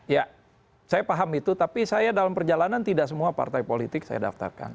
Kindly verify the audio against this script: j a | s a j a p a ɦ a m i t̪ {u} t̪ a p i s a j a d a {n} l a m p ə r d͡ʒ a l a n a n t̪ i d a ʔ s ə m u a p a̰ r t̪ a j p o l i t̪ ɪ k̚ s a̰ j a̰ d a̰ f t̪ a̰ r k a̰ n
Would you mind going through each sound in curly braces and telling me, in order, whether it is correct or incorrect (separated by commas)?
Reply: correct, incorrect